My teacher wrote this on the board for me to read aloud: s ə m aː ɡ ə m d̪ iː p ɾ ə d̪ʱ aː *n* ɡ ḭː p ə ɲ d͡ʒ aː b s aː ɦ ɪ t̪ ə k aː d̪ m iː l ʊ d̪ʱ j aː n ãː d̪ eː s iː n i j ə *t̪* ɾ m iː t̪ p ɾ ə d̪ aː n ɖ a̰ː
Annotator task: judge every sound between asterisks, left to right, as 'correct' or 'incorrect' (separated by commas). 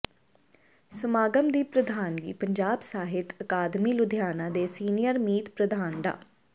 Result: correct, incorrect